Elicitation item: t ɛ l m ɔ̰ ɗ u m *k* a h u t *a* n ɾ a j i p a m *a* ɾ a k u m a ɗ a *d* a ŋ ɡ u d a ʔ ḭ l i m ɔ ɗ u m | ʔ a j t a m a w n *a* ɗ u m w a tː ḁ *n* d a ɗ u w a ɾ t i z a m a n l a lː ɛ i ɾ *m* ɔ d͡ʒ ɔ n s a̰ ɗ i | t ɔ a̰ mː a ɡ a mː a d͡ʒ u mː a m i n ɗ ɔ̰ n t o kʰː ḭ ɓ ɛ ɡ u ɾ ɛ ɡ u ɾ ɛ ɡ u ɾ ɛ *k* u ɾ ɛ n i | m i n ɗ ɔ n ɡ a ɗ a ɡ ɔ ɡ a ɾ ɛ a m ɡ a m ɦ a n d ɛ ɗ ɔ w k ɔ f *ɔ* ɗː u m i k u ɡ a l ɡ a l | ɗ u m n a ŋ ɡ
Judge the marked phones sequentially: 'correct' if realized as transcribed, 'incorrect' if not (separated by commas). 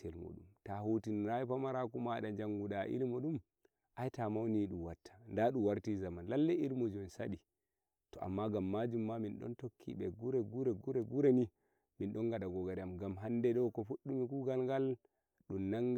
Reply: incorrect, incorrect, correct, incorrect, incorrect, correct, correct, incorrect, incorrect